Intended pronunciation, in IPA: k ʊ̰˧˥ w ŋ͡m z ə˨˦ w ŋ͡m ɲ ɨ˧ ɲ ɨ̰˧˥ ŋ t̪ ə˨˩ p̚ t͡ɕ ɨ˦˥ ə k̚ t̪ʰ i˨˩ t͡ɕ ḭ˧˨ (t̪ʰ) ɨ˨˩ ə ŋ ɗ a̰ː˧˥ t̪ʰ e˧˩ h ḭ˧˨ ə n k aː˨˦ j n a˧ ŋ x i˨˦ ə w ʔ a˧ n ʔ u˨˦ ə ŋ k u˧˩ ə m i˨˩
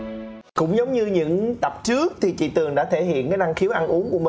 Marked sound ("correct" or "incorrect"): incorrect